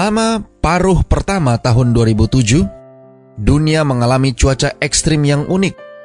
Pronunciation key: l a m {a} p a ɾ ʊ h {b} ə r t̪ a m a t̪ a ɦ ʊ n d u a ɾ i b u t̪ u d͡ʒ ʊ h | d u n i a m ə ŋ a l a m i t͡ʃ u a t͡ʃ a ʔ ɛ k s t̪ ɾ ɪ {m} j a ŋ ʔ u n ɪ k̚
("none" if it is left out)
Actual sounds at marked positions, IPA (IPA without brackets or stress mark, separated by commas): a, p, m